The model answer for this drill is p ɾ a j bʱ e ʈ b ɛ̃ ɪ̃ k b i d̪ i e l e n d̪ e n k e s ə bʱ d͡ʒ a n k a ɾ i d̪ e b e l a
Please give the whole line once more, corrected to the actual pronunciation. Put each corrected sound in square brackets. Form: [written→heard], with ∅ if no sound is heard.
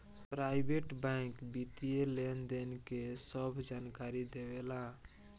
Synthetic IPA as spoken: p ɾ a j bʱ e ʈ b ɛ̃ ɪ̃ k b i [d̪→t̪] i e l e n d̪ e n k e s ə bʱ d͡ʒ a n k a ɾ i d̪ e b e l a